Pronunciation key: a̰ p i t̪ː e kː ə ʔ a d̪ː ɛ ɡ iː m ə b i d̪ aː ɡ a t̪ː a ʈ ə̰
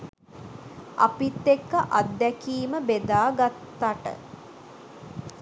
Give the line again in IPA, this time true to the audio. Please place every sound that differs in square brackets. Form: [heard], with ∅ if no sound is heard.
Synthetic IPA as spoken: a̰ p i t̪ː e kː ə ʔ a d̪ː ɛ [k] iː m ə b [e] d̪ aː ɡ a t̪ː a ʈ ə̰